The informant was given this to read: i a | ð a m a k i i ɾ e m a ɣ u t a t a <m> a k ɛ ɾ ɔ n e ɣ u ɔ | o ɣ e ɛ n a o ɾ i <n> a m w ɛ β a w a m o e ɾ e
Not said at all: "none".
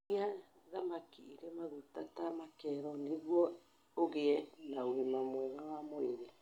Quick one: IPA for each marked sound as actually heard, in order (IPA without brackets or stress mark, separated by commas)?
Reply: m, m